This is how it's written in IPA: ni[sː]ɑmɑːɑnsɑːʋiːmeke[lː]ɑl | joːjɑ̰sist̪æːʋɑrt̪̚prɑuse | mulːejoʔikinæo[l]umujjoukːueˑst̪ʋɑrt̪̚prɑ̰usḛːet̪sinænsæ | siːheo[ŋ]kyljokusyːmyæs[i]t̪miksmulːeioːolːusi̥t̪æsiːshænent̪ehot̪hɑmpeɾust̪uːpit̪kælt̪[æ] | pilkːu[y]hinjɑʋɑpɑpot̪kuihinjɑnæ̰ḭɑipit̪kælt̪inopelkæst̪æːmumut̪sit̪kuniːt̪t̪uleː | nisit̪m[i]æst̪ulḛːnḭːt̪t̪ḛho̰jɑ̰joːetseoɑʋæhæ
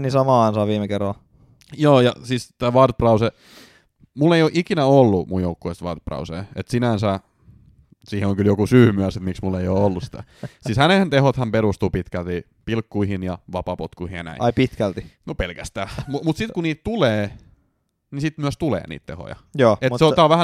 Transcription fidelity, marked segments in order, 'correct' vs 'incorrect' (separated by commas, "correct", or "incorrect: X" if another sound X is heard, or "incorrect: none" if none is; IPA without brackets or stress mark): incorrect: s, incorrect: rː, incorrect: lː, correct, incorrect: e, incorrect: i, incorrect: i, incorrect: y